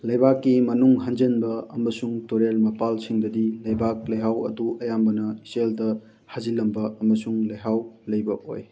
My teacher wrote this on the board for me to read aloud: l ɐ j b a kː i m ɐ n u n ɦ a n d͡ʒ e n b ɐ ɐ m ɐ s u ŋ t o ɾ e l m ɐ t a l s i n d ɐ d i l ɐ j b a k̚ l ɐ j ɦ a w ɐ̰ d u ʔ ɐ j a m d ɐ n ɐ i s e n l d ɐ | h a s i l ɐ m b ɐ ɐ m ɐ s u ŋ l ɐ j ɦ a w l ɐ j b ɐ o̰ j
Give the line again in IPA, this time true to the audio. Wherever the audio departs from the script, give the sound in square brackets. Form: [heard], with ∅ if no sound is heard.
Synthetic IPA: l ɐ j b a kː i m ɐ n u [ŋ] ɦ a n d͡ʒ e n b ɐ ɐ m ɐ s u ŋ t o ɾ e l m ɐ [p] a l s i [ŋ] d ɐ d i l ɐ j b a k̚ l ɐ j ɦ a w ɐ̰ d u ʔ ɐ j a m [b] ɐ n ɐ i s e [∅] l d ɐ | h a [z] i l ɐ m b ɐ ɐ m ɐ s u ŋ l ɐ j ɦ a w l ɐ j b ɐ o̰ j